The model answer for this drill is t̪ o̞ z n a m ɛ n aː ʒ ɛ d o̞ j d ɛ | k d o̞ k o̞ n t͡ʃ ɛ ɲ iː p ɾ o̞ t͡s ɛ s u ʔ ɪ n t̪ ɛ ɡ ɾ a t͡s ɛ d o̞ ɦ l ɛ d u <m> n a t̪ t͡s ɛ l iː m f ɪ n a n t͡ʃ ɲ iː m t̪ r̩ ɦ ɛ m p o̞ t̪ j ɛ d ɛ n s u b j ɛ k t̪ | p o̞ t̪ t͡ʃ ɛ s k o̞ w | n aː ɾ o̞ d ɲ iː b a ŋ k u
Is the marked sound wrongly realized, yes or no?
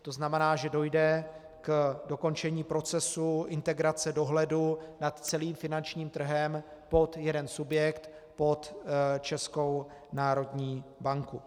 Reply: yes